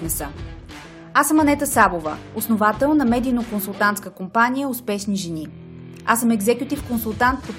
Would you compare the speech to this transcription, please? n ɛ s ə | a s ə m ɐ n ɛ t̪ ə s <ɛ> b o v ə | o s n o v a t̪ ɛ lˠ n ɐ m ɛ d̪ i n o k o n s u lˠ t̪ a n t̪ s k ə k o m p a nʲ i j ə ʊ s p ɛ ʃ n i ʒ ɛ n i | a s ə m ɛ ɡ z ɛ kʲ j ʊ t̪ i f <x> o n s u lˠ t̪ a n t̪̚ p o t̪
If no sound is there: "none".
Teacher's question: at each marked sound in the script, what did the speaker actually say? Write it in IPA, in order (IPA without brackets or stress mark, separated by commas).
a, k